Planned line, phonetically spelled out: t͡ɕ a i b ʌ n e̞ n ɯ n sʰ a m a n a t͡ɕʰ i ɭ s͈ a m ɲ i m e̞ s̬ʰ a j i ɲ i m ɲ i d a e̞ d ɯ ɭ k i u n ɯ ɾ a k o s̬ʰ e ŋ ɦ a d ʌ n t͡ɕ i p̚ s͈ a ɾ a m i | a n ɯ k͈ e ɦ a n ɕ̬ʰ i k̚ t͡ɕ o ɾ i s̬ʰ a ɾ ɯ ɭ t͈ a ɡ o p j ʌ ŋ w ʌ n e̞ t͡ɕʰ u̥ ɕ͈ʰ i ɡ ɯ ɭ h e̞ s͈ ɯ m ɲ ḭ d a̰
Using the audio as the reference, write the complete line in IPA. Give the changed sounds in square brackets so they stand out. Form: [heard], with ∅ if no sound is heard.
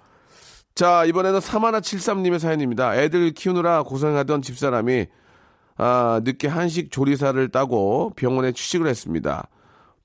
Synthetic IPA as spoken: t͡ɕ a i b ʌ n e̞ n ɯ n sʰ a m a n a t͡ɕʰ i ɭ s͈ a m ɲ i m e̞ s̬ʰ a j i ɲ i m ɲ i d a e̞ d ɯ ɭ [kʰ] i u n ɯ ɾ a k o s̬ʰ e ŋ ɦ a d ʌ n t͡ɕ i p̚ s͈ a ɾ a m i | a n ɯ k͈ e ɦ a n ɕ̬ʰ i k̚ t͡ɕ o ɾ i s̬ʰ a ɾ ɯ ɭ t͈ a ɡ o p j ʌ ŋ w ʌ n e̞ t͡ɕʰ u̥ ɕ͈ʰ i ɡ ɯ ɭ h e̞ s͈ ɯ m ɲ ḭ d a̰